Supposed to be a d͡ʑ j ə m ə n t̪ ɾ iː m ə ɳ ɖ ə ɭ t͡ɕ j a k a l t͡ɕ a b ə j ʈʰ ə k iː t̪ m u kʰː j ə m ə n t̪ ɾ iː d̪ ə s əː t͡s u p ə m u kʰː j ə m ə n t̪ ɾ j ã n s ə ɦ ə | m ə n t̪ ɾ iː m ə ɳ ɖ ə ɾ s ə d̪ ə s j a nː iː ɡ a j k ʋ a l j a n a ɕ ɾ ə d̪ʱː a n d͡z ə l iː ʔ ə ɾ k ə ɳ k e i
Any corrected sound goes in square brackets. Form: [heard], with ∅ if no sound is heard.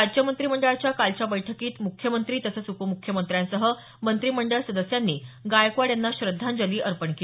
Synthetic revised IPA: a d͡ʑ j ə m ə n t̪ ɾ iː m ə ɳ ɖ ə ɭ t͡ɕ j a k a l t͡ɕ a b ə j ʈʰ ə k iː t̪ m u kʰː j ə m ə n t̪ ɾ iː [t̪] ə s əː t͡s u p ə m u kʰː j ə m ə n t̪ ɾ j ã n s ə ɦ ə | m ə n t̪ ɾ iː m ə ɳ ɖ ə [ɭ] s ə d̪ ə s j a nː iː ɡ a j k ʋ a [ɽ] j a [nː] a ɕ ɾ ə d̪ʱː a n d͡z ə l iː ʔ ə ɾ [p] ə ɳ k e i